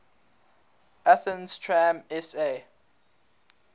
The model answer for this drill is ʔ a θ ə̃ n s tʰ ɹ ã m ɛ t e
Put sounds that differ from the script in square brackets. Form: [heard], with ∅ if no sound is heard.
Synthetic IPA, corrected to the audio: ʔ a θ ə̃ n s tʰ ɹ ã m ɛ [s] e